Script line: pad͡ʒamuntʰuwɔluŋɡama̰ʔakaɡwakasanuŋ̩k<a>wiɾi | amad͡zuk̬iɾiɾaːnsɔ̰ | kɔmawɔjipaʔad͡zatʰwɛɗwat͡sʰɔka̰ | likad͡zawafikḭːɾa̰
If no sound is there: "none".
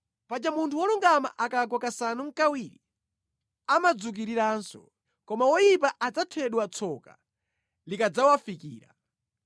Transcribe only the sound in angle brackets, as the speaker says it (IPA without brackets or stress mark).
a